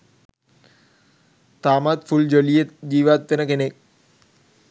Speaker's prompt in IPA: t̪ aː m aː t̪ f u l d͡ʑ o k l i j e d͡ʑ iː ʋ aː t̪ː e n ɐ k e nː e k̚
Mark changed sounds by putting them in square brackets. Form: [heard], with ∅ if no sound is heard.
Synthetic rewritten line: t̪ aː m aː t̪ f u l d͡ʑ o [∅] l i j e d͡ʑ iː ʋ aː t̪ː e n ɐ k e [n] e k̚